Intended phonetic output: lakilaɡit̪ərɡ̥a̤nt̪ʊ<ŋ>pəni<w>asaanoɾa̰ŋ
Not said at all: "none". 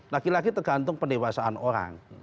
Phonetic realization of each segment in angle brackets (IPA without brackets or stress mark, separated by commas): ŋ, w